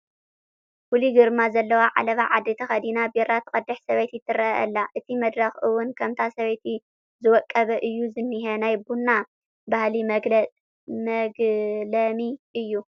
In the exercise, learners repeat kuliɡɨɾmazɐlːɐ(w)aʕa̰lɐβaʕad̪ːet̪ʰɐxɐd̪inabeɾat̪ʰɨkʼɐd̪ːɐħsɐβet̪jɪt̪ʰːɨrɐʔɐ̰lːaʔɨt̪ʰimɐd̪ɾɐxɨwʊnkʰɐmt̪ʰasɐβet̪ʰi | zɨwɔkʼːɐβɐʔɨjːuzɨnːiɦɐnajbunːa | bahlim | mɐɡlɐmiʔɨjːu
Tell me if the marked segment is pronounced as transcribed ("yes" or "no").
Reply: yes